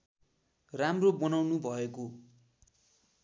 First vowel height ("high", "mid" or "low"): low